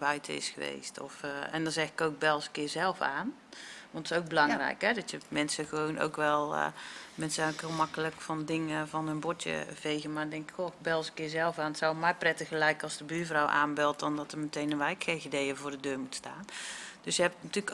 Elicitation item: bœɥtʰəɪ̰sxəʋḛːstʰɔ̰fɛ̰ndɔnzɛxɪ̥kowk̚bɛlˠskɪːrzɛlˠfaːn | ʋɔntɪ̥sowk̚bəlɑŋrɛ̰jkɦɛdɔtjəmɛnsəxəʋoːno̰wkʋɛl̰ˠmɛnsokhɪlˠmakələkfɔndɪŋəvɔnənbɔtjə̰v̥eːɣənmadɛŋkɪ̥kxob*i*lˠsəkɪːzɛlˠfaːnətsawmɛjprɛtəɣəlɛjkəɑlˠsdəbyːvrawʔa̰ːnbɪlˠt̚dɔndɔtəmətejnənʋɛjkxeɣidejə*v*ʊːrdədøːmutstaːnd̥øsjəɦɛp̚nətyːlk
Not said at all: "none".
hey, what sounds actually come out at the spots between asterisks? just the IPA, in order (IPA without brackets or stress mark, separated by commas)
ɛ, v